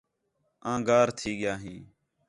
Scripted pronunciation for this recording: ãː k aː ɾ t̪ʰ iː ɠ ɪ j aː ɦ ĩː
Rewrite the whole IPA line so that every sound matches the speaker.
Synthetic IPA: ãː ɡ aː ɾ t̪ʰ iː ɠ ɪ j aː ɦ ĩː